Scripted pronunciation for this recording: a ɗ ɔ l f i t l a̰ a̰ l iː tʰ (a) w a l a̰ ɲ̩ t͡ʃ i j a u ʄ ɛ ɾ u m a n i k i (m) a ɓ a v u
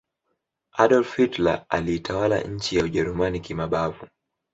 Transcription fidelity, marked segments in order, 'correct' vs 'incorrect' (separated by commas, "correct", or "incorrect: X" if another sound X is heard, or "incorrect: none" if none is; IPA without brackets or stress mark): correct, correct